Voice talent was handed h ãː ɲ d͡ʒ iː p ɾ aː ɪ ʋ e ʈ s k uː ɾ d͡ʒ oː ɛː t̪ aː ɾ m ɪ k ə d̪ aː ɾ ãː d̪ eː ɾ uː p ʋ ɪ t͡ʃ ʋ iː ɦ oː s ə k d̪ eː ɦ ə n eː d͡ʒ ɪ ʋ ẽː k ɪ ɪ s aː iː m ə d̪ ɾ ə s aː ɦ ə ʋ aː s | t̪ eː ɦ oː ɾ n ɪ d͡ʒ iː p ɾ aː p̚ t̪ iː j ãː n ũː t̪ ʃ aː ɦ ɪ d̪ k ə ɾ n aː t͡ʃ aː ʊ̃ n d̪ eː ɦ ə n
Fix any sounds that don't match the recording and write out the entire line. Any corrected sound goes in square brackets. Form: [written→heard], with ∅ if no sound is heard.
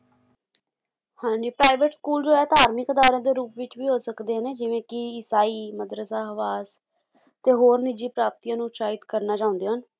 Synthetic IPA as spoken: h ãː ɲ d͡ʒ iː p ɾ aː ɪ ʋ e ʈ s k uː [ɾ→l] d͡ʒ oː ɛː t̪ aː ɾ m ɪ k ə d̪ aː ɾ ãː d̪ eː ɾ uː p ʋ ɪ t͡ʃ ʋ iː ɦ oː s ə k d̪ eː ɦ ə n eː d͡ʒ ɪ ʋ ẽː k ɪ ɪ s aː iː m ə d̪ ɾ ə s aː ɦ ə ʋ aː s | t̪ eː ɦ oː ɾ n ɪ d͡ʒ iː p ɾ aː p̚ t̪ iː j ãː n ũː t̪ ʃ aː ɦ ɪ [d̪→t̪] k ə ɾ n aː t͡ʃ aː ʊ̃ n d̪ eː ɦ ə n